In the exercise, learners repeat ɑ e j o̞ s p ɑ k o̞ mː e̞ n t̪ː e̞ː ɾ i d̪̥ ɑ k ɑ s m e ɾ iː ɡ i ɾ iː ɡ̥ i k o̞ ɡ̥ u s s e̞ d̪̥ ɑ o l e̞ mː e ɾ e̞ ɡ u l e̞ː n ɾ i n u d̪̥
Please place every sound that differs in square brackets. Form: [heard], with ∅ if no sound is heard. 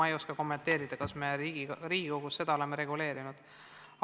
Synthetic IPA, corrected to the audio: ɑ e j o̞ s [k] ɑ k o̞ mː e̞ n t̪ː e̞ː ɾ i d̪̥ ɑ k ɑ s m e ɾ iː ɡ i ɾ iː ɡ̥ i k o̞ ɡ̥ u s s e̞ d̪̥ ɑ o l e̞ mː e ɾ e̞ ɡ u l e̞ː [∅] ɾ i n u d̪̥